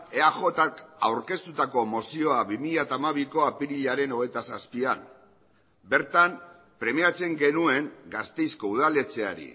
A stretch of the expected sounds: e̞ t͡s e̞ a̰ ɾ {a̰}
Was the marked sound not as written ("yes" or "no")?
yes